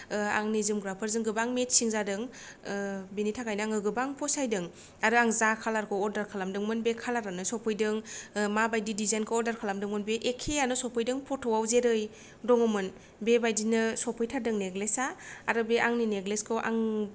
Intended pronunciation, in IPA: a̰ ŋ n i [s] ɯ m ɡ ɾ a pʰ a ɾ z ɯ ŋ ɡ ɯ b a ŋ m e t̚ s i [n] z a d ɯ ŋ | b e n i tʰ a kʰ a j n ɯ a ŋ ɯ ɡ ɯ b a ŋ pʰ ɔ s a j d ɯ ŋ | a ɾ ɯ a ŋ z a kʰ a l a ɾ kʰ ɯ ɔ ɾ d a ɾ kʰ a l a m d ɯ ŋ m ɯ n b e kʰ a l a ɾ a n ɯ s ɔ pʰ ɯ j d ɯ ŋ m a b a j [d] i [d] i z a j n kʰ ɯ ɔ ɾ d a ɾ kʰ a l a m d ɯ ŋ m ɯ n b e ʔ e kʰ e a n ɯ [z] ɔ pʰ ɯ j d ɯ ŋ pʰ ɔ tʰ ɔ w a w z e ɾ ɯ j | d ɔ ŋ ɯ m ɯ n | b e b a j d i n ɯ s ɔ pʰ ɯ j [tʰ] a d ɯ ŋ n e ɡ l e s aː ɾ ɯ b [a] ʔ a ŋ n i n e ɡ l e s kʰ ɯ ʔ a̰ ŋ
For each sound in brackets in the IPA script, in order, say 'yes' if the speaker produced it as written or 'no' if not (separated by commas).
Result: no, no, yes, yes, no, yes, no